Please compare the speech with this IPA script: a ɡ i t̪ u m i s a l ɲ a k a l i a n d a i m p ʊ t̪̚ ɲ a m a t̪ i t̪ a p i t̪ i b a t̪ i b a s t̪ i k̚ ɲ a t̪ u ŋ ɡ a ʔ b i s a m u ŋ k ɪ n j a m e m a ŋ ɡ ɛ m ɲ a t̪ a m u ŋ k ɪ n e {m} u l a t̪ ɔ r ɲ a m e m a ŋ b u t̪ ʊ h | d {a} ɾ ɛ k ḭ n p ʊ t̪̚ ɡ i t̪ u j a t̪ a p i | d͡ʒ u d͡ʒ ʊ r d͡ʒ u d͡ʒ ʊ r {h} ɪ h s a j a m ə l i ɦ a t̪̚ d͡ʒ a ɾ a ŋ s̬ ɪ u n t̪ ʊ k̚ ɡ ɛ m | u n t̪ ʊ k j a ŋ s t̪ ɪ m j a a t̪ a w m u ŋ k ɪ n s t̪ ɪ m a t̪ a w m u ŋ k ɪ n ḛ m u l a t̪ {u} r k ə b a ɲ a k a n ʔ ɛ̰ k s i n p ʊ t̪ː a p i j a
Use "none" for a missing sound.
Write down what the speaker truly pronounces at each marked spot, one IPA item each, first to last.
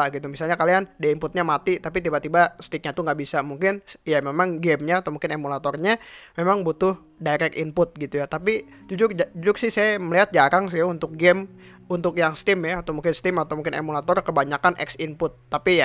m, a, s, ɔ

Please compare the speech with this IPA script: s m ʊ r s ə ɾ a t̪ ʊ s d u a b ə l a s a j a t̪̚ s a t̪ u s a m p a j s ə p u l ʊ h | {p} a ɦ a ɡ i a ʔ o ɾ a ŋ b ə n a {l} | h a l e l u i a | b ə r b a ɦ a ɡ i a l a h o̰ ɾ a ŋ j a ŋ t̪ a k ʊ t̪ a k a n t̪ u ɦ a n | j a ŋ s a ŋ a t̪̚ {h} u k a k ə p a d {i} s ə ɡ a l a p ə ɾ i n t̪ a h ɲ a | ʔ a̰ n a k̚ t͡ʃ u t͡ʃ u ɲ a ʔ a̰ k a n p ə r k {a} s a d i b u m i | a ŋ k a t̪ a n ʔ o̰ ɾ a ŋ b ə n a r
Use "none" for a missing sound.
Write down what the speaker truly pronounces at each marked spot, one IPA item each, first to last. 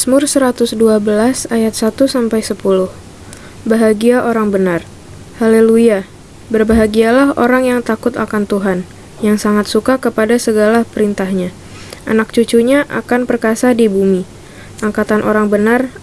b, r, s, a, a

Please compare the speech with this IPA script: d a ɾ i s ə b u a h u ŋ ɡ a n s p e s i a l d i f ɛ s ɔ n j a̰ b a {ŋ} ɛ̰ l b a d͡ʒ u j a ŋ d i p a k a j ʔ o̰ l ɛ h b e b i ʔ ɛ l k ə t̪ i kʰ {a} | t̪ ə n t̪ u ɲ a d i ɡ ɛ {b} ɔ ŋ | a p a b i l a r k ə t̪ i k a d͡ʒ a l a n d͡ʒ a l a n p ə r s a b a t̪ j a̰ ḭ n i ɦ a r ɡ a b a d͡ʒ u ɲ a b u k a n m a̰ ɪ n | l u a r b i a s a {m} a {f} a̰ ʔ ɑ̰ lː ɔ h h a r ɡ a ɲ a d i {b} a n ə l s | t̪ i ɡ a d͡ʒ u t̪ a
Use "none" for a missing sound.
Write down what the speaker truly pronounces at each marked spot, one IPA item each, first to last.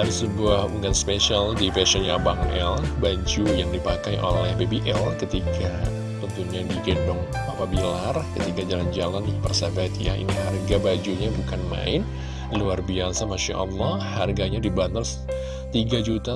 ŋ, a, d, m, ʃ, b

